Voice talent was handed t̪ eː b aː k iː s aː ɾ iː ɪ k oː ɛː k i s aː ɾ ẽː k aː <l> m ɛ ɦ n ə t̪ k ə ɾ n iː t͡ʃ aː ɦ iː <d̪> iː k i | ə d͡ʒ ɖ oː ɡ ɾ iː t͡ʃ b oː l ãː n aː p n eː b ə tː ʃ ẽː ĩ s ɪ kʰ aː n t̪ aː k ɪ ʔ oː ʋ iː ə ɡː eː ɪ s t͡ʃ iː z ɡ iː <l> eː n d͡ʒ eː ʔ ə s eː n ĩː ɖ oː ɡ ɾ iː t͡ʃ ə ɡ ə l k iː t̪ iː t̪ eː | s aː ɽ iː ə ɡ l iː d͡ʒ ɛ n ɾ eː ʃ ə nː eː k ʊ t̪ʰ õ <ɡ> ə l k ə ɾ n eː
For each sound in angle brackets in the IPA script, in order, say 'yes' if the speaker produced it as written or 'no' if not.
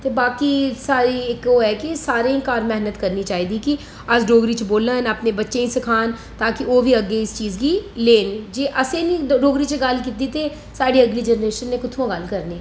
no, yes, yes, yes

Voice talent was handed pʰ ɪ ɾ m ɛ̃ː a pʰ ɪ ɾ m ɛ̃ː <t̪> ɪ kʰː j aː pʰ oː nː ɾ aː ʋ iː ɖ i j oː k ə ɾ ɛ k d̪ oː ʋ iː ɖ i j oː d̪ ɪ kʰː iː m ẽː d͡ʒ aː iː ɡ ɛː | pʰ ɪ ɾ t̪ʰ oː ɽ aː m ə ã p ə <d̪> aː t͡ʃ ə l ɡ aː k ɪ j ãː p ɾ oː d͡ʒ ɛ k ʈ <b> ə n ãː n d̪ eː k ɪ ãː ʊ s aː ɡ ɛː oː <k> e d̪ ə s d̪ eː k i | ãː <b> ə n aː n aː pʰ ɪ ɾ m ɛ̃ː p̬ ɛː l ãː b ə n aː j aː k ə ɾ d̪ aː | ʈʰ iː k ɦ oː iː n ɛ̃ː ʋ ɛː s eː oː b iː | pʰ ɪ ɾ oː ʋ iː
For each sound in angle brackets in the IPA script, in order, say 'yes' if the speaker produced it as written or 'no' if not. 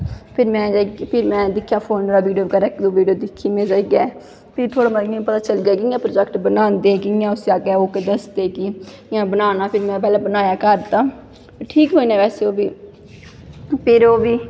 no, no, yes, yes, yes

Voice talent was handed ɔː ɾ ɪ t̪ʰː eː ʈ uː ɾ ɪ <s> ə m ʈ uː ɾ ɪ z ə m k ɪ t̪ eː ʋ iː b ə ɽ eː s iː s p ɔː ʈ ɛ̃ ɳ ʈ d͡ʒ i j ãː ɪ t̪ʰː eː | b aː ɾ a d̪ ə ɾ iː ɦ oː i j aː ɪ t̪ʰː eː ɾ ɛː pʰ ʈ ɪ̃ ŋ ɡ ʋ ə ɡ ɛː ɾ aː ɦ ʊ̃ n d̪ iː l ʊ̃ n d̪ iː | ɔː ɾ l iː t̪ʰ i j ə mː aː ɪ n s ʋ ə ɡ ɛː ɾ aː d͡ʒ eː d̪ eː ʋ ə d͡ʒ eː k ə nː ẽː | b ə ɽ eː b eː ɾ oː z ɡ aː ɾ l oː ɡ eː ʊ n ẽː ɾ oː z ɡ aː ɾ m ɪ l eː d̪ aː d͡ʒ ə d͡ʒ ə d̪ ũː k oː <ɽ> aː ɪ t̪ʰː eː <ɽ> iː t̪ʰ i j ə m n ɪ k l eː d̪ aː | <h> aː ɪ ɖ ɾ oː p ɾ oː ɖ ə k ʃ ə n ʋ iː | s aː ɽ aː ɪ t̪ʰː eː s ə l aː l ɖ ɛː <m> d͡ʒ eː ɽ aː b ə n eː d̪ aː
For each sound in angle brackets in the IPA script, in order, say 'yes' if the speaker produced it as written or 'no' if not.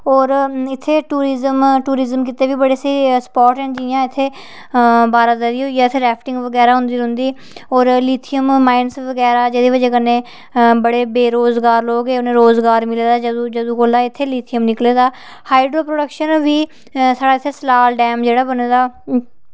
no, no, no, yes, yes

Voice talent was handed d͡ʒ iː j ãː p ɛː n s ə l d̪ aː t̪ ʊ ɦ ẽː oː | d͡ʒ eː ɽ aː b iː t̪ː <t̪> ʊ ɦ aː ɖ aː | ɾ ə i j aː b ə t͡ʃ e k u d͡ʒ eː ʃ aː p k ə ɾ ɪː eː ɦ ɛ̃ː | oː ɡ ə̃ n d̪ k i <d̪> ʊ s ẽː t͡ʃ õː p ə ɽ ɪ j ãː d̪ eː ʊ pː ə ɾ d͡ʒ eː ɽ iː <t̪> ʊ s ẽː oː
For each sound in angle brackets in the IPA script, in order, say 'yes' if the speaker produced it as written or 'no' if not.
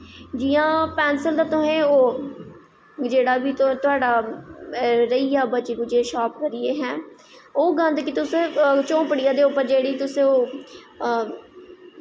yes, no, yes

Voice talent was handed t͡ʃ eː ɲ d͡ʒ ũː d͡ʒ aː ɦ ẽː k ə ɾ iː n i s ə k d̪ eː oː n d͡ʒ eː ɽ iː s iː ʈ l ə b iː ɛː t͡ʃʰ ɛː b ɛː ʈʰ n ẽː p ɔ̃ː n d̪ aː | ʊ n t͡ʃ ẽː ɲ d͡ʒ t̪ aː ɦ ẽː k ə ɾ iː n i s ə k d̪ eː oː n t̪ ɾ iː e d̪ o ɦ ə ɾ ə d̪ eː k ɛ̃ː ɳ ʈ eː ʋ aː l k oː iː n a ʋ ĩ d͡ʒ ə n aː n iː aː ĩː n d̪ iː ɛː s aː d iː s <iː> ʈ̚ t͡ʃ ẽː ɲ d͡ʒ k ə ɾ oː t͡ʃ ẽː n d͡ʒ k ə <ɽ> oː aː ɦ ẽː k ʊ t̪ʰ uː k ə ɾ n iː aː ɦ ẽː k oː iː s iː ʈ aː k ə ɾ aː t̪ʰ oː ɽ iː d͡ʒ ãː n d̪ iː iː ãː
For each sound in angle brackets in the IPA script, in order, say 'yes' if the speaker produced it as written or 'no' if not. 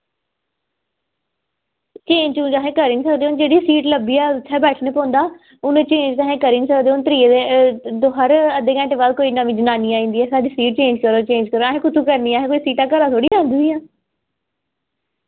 yes, no

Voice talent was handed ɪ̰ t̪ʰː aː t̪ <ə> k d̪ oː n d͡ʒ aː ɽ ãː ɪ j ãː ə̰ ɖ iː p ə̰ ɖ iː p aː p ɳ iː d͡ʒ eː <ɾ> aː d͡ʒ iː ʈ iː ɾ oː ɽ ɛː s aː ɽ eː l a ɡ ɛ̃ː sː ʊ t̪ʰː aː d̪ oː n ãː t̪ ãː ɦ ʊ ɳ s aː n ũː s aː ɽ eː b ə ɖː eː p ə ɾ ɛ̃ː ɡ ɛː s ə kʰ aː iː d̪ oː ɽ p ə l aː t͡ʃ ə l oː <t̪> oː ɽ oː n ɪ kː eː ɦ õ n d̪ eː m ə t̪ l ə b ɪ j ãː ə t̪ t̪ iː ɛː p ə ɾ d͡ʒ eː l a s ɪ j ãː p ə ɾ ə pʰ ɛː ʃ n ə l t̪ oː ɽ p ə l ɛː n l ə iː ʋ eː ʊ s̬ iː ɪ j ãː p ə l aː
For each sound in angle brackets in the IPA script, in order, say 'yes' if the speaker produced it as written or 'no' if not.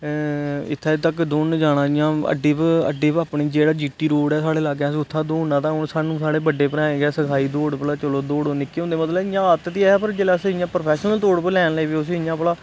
yes, no, no

